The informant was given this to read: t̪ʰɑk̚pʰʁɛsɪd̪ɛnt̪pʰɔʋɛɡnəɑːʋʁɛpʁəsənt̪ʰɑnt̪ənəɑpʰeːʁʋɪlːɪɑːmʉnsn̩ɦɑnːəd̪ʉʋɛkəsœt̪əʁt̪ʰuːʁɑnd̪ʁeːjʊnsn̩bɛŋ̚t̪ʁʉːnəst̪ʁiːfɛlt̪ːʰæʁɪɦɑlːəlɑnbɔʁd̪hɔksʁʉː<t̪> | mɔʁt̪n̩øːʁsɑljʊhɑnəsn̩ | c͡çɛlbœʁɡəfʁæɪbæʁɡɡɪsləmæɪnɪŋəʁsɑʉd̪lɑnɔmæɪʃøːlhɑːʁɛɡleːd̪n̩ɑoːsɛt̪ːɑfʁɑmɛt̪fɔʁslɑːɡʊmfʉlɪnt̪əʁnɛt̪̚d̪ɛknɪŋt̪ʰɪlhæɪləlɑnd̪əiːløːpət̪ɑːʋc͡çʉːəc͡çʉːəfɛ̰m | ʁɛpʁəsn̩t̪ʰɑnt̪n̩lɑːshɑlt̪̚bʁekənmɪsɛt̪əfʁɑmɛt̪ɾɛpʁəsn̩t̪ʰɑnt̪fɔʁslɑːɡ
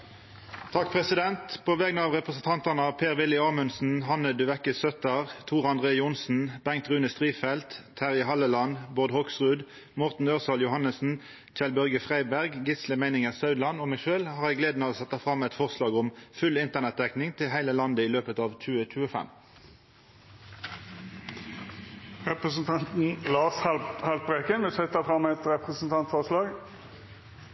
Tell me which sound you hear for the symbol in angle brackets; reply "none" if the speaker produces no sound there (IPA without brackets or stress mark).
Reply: d̪